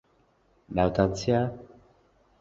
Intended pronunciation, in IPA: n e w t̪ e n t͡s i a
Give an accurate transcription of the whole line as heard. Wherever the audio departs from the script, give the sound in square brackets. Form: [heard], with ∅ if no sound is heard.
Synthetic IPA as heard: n [a] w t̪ [a] n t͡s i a